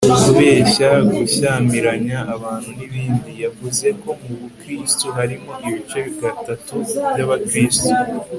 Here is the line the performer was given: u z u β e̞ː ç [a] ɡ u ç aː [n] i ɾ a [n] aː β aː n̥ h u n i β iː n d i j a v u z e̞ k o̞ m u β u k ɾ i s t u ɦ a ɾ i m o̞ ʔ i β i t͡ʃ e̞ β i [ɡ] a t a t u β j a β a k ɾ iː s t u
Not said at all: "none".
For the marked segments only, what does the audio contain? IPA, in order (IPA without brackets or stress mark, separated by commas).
a, m, ɲ, ɡ